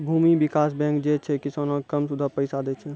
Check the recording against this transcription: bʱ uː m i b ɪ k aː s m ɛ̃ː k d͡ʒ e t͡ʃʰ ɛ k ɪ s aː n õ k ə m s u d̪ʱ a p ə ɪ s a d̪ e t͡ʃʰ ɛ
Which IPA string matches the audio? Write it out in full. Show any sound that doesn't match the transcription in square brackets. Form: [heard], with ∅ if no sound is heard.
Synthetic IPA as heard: bʱ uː m i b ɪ k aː s [b] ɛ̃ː k d͡ʒ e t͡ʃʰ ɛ k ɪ s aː n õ k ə m s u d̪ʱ a p ə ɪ s a d̪ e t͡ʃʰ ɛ